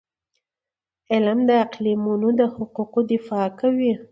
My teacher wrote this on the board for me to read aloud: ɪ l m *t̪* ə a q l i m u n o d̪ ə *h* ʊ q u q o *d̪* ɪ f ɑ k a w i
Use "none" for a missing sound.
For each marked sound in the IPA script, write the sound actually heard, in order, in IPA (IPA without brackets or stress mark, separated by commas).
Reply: d̪, h, d̪